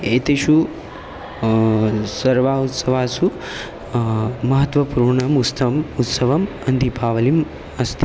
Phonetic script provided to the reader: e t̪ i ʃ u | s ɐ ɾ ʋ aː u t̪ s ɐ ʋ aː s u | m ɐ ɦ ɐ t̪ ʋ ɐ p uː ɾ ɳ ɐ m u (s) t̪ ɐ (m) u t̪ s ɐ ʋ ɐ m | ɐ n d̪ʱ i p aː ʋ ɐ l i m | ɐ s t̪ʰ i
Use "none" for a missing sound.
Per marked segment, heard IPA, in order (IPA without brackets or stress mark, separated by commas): s, m